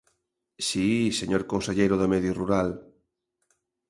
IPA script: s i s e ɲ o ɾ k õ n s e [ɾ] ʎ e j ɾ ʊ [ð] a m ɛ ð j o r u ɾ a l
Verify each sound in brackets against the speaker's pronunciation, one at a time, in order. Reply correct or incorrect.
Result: incorrect: none, correct

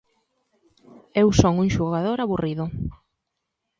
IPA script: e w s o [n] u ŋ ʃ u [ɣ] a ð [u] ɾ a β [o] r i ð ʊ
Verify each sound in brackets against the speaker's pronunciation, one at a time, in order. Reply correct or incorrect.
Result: incorrect: ŋ, correct, incorrect: o, incorrect: u

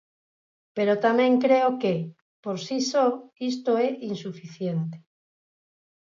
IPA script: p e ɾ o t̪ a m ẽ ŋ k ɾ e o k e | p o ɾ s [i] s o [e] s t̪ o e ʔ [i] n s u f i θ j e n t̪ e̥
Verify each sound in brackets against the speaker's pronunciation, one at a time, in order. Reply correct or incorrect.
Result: correct, incorrect: i, correct

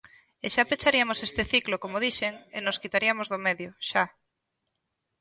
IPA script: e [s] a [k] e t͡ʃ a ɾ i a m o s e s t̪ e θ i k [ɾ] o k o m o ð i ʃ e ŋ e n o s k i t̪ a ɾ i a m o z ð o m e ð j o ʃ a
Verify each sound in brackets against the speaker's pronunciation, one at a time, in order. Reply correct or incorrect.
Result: incorrect: ʃ, incorrect: p, incorrect: l

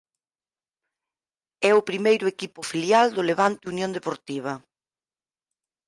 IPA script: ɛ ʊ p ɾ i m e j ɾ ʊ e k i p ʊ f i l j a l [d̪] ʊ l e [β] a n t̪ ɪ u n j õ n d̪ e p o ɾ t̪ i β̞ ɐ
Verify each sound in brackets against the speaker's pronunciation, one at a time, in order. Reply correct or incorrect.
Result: correct, correct

